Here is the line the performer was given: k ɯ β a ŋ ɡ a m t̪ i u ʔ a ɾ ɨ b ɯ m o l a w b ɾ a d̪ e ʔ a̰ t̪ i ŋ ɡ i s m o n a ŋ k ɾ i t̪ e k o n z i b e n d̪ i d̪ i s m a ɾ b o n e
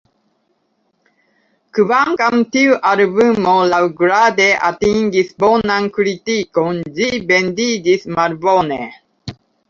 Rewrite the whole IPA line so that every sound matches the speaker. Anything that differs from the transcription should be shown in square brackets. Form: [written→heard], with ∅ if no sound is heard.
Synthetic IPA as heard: k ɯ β a ŋ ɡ a m t̪ i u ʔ a ɾ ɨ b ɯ m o l a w [b→ɡ] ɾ a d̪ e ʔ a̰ t̪ i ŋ ɡ i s [m→b] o n a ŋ k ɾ i t̪ [e→i] k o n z i b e n d̪ i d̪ i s m a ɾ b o n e